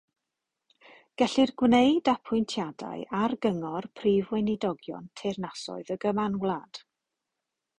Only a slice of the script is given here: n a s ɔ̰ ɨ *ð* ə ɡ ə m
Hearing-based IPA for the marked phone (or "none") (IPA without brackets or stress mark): ð